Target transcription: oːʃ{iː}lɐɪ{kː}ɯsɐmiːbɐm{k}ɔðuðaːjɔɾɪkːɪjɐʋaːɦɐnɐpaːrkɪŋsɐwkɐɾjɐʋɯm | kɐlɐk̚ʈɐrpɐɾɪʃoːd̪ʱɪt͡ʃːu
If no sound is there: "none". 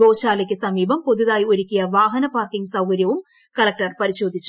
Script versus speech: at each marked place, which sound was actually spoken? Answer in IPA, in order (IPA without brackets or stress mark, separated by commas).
aː, kː, p